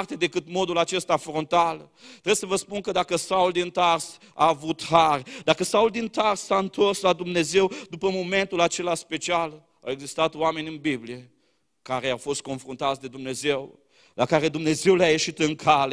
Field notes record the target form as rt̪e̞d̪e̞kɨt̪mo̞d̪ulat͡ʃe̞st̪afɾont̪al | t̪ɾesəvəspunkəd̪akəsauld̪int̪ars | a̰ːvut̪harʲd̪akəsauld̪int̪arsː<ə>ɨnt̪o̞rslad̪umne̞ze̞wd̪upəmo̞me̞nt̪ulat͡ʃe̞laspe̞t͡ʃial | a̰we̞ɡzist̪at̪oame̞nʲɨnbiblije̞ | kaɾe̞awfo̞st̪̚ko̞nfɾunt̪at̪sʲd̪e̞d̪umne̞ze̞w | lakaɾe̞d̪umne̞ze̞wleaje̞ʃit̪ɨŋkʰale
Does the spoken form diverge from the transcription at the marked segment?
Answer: yes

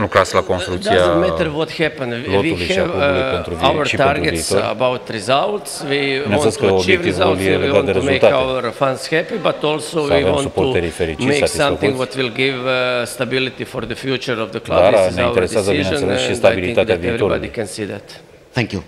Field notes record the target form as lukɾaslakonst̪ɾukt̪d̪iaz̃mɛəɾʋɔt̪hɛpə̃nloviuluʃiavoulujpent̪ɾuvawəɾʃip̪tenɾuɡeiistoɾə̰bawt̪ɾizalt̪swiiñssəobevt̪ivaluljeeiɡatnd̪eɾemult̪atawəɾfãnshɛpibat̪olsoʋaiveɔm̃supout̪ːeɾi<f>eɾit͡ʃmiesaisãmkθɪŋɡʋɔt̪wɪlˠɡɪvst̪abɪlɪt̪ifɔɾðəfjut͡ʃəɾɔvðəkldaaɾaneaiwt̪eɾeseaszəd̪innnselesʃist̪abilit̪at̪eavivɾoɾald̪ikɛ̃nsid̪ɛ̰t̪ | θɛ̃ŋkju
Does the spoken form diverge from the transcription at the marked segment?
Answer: no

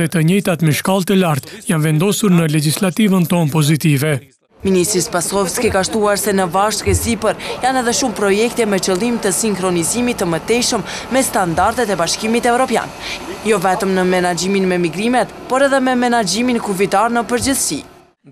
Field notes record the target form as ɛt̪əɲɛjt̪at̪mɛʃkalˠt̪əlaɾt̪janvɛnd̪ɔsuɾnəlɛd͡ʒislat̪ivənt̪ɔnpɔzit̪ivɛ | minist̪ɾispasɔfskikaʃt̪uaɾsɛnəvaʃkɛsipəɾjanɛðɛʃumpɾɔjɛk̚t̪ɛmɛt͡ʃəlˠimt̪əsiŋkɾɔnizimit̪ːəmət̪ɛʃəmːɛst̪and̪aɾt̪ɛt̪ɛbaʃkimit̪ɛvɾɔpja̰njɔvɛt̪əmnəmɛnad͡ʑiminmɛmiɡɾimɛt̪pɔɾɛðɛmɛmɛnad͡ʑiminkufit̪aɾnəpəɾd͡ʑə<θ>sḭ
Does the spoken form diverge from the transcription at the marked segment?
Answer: no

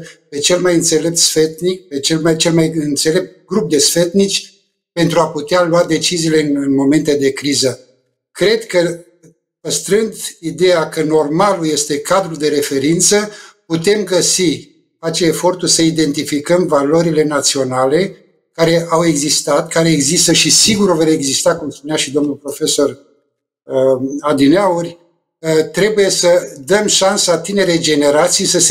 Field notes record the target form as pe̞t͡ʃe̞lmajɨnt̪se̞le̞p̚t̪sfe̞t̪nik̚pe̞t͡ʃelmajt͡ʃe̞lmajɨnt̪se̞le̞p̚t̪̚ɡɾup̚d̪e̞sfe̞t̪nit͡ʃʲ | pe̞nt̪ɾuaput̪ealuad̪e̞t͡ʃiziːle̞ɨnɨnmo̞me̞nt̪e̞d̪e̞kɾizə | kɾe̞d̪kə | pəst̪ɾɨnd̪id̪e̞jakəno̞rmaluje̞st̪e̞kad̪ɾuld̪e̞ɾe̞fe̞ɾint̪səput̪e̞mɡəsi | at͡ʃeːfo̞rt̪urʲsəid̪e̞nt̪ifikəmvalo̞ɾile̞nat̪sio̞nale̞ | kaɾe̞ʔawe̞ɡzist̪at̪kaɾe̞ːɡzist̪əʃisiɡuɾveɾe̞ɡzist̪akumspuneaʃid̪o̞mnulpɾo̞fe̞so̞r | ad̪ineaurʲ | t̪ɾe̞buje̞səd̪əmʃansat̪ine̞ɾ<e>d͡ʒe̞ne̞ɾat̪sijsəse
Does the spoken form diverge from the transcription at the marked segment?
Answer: no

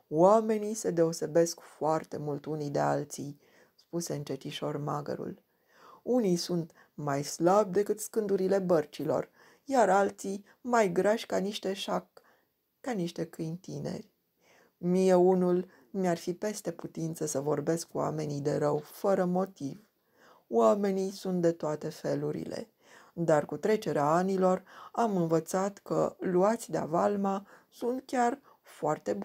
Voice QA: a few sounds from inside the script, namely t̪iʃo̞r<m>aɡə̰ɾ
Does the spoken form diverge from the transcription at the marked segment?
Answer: no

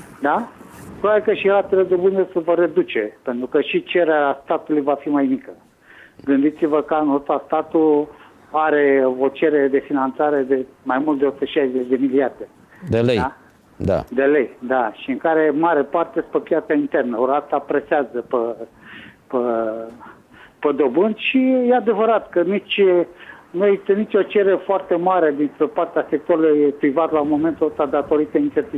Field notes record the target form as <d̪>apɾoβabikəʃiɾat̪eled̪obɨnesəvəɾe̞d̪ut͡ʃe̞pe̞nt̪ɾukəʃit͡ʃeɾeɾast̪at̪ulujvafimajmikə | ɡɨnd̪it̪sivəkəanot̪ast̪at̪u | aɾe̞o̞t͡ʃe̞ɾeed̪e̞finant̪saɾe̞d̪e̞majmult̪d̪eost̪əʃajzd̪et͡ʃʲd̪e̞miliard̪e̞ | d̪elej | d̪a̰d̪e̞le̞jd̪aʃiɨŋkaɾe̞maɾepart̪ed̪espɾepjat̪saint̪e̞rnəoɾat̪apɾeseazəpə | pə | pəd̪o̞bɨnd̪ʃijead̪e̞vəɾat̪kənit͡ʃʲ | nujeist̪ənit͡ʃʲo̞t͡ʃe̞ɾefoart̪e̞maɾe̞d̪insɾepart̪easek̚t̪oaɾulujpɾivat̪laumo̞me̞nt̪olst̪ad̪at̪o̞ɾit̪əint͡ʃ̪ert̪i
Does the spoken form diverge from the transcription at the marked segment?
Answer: no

